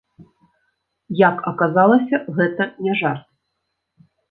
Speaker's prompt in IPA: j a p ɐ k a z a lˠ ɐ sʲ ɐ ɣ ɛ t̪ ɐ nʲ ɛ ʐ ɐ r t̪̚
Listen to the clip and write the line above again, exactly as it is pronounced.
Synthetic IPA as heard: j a k ɐ k a z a lˠ ɐ sʲ ɐ ɣ ɛ t̪ ɐ nʲ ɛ ʐ a r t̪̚